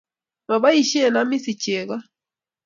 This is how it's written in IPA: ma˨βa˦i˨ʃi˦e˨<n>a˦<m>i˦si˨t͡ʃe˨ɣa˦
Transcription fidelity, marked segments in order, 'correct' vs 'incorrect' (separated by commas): correct, correct